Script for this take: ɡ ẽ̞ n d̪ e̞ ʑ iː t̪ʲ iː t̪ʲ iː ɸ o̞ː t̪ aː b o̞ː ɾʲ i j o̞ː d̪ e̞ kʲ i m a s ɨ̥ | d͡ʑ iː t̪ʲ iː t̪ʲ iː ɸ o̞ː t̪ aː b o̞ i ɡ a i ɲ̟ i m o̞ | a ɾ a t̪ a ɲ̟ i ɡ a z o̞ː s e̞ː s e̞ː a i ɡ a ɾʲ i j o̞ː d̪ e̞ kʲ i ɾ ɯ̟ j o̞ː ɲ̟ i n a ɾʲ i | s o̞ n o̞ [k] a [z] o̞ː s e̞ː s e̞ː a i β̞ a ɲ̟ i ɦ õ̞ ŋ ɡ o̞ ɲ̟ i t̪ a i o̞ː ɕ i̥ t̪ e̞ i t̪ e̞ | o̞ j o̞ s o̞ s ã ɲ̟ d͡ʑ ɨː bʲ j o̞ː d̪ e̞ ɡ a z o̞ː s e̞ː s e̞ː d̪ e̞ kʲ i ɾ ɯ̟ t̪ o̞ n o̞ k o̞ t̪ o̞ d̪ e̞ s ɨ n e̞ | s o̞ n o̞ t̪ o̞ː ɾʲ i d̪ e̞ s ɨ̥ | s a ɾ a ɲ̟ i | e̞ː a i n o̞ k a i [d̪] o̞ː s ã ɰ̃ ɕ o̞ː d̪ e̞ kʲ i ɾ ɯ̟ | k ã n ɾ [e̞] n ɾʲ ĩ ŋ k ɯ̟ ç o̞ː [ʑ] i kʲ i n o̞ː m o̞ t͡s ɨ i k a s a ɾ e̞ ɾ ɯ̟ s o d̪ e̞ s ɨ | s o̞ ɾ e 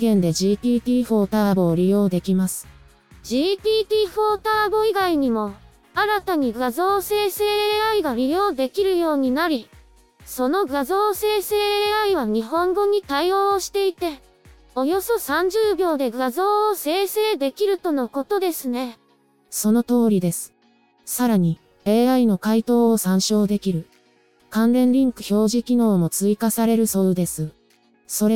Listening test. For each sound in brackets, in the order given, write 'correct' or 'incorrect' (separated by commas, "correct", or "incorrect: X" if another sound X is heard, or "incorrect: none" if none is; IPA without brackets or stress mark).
incorrect: ɡ, correct, incorrect: t̪, incorrect: ẽ̞, correct